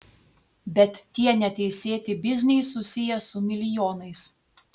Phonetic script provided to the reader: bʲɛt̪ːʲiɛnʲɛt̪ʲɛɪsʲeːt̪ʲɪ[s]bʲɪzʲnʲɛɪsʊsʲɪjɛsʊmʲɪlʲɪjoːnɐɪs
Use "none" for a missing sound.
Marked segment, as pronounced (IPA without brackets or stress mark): none